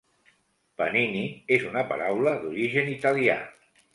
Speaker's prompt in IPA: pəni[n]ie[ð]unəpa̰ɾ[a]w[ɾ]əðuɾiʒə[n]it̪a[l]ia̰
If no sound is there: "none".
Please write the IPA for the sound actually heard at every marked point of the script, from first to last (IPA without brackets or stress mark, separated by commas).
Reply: n, z, a, l, n, l